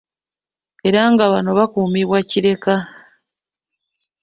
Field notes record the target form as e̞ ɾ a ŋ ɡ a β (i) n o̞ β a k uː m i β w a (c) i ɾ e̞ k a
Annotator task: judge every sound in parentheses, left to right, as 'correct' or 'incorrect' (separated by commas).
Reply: incorrect, correct